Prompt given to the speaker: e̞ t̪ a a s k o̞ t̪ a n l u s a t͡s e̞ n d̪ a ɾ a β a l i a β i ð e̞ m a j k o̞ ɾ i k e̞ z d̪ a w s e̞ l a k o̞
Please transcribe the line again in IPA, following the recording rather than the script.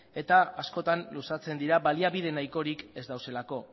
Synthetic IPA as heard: e̞ t̪ a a s k o̞ t̪ a n l u s a t͡s e̞ n d̪ i ɾ a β a l i a β i ð e̞ n a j k o̞ ɾ i k e̞ z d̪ a w s e̞ l a k o̞